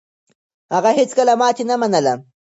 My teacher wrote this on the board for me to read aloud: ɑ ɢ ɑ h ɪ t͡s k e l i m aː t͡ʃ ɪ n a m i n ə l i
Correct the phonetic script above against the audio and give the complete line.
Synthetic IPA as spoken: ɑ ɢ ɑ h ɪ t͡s k a l a m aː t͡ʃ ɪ n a m a n a l a